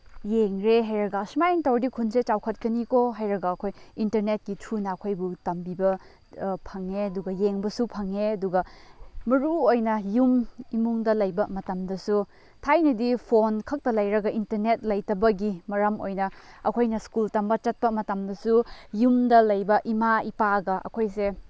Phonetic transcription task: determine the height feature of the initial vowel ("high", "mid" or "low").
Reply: mid